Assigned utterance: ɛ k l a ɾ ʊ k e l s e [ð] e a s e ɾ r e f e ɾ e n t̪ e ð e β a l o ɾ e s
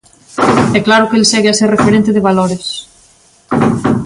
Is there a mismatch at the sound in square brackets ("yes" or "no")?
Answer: yes